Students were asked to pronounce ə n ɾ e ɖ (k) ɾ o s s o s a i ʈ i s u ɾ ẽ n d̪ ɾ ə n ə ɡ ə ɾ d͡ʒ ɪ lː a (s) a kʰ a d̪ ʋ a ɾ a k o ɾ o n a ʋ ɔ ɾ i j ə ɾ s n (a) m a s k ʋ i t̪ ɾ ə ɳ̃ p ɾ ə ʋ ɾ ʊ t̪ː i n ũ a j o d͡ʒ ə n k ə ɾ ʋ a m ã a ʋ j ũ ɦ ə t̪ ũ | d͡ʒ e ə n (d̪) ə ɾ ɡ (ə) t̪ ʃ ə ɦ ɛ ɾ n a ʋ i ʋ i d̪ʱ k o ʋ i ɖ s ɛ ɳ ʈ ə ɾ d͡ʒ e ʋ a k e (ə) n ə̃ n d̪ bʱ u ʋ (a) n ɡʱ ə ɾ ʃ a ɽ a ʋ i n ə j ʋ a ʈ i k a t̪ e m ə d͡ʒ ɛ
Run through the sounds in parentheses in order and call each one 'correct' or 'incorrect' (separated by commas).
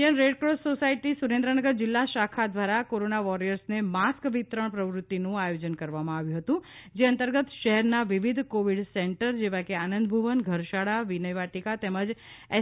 correct, incorrect, incorrect, incorrect, correct, incorrect, incorrect